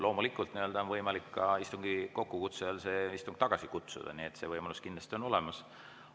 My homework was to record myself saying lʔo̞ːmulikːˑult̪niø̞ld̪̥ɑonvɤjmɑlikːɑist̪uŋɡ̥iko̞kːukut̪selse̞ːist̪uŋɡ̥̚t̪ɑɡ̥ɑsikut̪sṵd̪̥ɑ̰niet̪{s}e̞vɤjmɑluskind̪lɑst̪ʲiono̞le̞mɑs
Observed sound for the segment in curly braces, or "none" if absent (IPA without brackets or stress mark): s